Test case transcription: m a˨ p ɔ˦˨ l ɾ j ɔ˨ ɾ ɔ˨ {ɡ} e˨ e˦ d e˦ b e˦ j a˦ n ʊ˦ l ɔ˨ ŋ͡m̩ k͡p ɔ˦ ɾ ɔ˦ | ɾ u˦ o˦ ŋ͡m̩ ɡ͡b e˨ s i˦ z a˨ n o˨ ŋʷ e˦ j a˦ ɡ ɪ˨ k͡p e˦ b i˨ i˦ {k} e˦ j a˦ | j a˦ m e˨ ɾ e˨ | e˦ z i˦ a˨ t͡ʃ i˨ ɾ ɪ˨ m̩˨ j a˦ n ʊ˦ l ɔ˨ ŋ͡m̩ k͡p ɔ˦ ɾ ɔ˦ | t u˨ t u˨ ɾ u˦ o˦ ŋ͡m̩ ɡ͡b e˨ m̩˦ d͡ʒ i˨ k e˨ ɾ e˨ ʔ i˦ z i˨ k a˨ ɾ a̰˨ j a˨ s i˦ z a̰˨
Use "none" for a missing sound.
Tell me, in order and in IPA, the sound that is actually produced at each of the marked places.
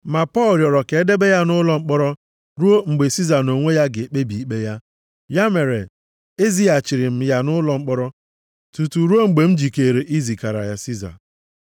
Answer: k, k͡p

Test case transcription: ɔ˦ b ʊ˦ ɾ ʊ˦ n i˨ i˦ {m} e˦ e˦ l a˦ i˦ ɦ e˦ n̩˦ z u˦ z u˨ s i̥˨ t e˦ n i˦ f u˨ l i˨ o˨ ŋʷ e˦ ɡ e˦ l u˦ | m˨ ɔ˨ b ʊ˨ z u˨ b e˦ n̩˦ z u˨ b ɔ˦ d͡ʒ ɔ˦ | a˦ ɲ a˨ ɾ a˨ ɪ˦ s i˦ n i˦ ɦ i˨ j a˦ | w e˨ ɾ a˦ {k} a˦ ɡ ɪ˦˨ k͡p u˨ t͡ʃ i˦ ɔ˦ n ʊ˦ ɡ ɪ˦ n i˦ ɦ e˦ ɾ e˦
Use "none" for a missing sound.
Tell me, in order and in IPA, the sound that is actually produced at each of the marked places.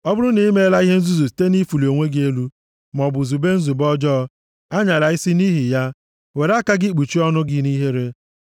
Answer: m, k

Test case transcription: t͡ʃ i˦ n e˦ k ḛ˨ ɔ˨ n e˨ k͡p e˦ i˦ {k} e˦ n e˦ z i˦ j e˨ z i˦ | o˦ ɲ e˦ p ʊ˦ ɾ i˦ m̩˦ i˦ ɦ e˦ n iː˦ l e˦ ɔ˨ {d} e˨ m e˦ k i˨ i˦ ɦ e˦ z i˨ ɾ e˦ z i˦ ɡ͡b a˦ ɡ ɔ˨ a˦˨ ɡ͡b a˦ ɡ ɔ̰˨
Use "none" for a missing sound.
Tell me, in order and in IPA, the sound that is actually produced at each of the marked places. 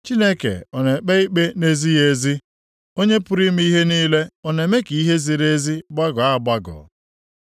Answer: k͡p, n

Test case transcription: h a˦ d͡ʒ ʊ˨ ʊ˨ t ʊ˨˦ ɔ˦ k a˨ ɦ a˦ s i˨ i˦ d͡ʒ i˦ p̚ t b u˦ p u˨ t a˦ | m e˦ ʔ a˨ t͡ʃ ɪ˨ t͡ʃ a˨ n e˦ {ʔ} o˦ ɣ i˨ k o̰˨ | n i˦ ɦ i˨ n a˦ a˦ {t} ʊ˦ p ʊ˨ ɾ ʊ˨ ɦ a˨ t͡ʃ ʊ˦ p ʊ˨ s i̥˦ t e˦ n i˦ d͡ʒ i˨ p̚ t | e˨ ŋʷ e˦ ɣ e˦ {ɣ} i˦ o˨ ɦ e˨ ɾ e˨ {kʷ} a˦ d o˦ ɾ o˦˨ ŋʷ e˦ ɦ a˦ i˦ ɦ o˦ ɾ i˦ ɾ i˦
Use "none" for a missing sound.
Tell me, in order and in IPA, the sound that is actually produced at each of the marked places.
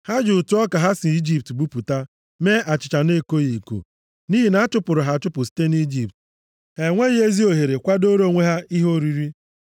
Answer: k, t͡ʃ, z, kʷ

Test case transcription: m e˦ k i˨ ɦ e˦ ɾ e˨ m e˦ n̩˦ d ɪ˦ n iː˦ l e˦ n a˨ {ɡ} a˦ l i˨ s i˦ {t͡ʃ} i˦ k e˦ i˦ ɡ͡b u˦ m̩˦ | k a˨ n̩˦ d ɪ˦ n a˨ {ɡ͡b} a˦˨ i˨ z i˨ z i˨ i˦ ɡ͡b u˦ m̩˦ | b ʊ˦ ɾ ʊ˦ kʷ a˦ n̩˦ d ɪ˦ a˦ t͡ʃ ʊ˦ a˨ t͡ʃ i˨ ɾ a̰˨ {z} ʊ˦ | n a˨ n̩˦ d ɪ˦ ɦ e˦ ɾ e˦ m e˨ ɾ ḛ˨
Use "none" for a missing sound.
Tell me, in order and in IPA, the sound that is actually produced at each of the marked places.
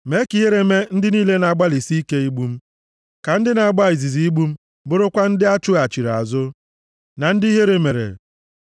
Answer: ɡ͡b, none, ɡ͡b, z

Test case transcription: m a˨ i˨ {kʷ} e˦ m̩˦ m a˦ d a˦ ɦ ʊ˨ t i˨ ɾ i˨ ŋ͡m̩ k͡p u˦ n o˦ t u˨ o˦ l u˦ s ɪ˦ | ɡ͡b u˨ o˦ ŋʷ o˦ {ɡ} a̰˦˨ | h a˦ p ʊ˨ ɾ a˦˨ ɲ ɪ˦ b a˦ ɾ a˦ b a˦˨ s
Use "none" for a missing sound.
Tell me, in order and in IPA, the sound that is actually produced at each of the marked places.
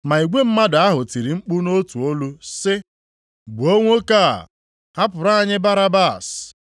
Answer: ɡʷ, k

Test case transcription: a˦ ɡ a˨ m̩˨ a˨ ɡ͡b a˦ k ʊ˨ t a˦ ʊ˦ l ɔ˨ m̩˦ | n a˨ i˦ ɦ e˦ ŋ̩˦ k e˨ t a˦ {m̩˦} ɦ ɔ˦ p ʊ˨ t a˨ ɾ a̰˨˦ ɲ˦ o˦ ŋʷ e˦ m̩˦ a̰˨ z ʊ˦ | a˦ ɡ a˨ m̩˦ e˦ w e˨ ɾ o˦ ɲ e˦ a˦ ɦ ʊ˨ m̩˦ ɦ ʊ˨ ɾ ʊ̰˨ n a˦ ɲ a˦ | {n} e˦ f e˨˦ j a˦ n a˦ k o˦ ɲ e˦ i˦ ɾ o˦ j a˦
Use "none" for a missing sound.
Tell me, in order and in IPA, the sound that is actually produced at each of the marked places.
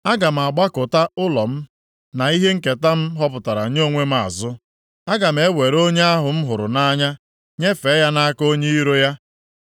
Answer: m̩˦, ɲ

